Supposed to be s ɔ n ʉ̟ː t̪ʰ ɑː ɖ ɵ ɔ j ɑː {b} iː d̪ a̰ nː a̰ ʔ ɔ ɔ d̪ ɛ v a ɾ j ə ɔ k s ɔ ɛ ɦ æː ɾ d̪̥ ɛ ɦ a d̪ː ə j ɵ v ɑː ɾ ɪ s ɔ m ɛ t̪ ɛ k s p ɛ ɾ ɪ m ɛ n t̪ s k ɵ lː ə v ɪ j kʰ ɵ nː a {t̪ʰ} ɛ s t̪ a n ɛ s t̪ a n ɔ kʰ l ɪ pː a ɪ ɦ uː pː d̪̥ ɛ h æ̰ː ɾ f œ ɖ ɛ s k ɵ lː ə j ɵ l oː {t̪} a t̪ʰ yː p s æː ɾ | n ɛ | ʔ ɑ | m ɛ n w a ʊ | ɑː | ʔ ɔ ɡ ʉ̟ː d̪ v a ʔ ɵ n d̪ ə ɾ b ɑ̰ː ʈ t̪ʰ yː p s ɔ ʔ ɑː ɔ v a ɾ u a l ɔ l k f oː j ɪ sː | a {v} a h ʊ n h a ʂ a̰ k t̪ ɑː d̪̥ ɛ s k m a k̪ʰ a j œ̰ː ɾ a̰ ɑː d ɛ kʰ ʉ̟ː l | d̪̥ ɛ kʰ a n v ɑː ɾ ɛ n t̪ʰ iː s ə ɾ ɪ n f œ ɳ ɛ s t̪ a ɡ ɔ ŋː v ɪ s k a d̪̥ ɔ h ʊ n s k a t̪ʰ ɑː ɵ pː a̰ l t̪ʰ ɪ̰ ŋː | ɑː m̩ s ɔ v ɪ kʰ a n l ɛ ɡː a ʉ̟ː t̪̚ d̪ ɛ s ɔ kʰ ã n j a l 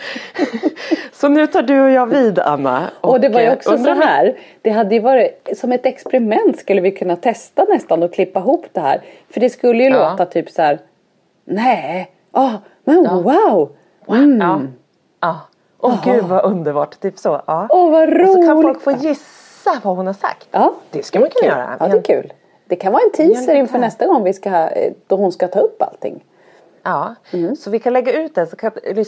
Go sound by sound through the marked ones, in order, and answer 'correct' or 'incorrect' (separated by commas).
incorrect, correct, correct, correct